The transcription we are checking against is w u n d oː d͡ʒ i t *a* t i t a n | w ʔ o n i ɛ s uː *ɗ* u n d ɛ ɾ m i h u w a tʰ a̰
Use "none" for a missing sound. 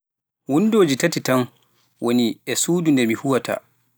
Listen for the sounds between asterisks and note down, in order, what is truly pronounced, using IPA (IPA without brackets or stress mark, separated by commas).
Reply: a, d